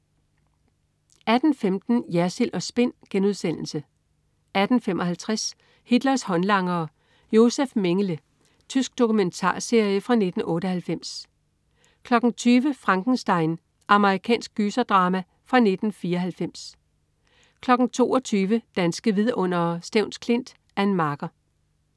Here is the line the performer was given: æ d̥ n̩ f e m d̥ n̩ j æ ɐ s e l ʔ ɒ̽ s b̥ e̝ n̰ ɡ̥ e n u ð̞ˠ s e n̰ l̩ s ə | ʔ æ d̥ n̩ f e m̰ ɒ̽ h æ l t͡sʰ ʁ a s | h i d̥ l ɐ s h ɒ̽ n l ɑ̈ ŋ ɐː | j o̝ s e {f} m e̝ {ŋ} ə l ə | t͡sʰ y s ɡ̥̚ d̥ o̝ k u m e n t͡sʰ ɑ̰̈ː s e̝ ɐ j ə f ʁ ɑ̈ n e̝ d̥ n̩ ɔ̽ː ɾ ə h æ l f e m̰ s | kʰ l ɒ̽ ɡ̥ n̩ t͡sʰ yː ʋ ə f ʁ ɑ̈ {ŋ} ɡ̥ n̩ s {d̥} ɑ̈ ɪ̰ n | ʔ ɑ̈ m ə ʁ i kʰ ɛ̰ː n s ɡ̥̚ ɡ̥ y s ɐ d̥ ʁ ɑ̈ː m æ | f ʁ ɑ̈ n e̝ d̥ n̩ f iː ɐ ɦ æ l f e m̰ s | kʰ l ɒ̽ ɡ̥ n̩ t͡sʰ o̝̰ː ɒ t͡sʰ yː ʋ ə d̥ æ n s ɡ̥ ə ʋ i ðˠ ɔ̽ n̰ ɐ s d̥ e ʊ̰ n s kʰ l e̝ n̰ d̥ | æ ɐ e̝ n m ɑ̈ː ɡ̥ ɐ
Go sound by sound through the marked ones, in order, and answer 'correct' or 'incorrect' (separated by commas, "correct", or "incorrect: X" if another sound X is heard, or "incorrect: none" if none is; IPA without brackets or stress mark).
correct, correct, correct, correct